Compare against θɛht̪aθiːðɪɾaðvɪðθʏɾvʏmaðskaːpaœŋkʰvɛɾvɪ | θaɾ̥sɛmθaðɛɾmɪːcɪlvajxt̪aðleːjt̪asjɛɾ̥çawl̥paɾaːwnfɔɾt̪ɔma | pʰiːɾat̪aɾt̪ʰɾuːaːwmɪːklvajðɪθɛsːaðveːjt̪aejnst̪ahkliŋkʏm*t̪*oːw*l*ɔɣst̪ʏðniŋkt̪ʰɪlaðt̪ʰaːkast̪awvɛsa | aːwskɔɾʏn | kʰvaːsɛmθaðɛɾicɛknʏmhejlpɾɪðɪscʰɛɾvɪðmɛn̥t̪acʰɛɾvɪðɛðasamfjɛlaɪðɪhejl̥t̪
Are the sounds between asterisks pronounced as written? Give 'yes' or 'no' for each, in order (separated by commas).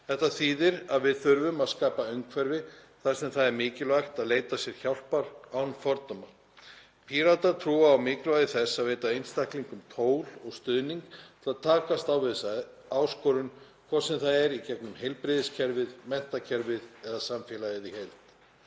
no, yes